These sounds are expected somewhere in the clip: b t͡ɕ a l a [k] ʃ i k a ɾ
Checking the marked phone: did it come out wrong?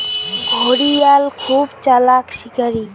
no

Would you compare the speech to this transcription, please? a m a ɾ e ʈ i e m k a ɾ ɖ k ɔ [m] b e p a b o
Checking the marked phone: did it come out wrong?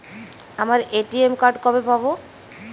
yes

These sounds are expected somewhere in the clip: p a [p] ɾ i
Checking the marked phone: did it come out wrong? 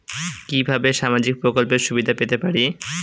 yes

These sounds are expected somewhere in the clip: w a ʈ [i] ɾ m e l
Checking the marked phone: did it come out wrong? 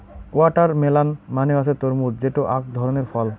yes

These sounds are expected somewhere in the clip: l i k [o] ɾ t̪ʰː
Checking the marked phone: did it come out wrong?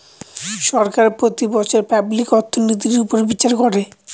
yes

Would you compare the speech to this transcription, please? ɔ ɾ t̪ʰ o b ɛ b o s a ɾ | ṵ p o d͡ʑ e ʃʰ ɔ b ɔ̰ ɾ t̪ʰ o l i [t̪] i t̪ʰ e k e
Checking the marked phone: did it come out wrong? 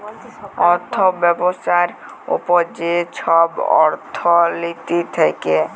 no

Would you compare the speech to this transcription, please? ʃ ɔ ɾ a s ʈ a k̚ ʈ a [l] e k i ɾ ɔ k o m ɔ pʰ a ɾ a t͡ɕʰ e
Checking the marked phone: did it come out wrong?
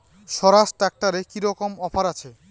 yes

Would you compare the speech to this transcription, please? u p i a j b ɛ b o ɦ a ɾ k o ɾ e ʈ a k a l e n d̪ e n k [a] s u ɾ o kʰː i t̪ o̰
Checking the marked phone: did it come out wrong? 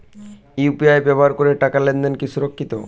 yes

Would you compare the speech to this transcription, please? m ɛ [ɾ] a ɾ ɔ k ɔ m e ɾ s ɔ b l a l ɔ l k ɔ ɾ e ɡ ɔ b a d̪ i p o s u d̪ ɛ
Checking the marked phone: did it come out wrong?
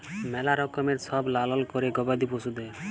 yes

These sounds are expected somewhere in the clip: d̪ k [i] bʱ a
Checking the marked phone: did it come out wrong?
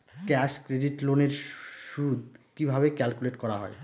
no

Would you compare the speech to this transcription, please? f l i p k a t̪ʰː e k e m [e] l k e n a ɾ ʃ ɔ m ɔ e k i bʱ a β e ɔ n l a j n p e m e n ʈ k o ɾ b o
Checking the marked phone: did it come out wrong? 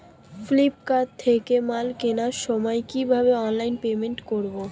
yes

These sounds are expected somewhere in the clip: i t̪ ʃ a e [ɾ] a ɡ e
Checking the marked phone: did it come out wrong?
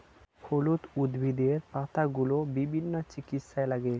yes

